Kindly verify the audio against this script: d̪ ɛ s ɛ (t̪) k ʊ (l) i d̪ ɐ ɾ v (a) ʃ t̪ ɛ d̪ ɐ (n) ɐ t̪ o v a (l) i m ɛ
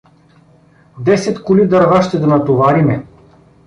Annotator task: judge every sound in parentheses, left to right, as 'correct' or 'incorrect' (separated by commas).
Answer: correct, correct, correct, correct, incorrect